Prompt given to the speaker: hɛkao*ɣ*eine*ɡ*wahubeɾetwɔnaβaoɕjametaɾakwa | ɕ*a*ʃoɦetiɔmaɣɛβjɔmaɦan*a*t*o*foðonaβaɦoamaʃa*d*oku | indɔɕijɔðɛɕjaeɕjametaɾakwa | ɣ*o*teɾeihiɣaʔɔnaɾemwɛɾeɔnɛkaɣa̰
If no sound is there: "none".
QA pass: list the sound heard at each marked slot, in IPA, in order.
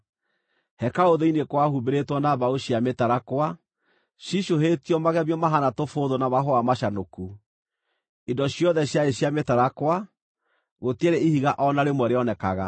ð, k, i, a, o, n, o

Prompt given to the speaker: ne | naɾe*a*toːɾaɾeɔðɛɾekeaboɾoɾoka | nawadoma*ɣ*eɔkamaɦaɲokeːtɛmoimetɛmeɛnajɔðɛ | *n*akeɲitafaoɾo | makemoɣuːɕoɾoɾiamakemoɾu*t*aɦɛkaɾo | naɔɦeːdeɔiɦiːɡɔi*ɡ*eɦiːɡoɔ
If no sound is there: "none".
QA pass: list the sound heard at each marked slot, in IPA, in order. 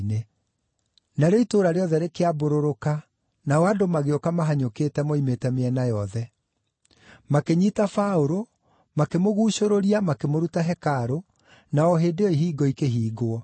i, ɣ, m, t, k

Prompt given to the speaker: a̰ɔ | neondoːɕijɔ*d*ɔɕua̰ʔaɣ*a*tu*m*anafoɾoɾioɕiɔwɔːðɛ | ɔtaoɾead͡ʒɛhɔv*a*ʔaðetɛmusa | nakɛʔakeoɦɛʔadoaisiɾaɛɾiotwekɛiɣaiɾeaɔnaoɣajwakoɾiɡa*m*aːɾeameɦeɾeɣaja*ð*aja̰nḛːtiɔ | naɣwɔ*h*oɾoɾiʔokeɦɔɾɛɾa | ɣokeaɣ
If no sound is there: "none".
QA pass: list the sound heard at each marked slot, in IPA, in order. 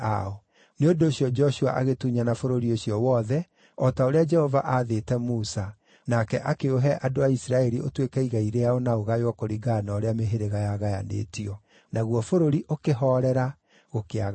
d͡ʒ, e, ɲ, a, n, ɣ, f

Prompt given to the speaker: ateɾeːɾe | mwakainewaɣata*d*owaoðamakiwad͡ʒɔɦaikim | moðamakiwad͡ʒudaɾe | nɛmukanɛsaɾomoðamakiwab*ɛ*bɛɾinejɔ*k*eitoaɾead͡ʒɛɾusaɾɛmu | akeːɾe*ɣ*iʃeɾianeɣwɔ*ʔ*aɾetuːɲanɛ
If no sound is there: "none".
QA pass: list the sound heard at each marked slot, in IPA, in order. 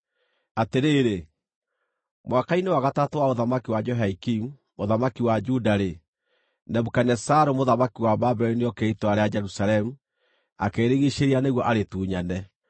t, a, k, ɣ, ʔ

